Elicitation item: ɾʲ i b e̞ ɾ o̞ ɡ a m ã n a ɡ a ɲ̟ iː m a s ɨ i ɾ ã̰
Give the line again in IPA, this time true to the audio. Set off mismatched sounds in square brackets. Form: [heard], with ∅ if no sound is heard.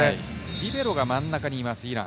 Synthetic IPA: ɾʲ i b e̞ ɾ o̞ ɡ a m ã [nː] a [k] a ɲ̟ iː m a s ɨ i ɾ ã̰

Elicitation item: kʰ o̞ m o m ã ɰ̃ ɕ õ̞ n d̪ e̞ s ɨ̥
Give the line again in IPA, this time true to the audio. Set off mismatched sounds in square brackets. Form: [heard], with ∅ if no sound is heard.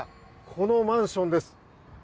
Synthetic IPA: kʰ o̞ [n] o m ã ɰ̃ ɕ õ̞ n d̪ e̞ s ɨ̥

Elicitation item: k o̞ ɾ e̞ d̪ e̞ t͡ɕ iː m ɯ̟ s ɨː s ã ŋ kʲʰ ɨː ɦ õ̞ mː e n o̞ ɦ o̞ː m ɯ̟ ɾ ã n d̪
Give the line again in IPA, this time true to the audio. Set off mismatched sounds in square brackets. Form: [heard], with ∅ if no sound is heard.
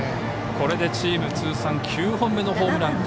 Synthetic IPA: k o̞ ɾ e̞ d̪ e̞ t͡ɕ iː m ɯ̟ [t͡s] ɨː s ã ŋ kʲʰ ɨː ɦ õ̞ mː e n o̞ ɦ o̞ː m ɯ̟ ɾ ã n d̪

